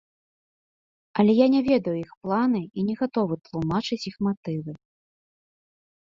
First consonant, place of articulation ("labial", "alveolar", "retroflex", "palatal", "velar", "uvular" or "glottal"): alveolar